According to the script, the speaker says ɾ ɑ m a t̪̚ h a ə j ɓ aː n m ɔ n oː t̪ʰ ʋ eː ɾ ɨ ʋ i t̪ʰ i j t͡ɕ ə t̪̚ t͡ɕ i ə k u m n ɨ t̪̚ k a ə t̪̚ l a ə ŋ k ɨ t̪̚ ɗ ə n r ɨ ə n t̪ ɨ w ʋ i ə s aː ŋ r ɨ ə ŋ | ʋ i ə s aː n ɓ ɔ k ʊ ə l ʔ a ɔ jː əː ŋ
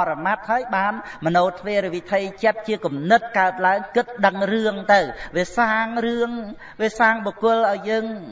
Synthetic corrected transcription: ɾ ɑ m a t̪̚ h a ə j ɓ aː n m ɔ n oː t̪ʰ ʋ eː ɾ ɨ ʋ i t̪ʰ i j t͡ɕ ə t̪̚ t͡ɕ i ə k u m n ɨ t̪̚ k a ə t̪̚ l a ə ŋ k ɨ t̪̚ ɗ ə ŋ r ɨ ə ŋ t̪ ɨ w ʋ i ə s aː ŋ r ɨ ə ŋ | ʋ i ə s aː ŋ ɓ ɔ k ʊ ə l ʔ a ɔ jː əː ŋ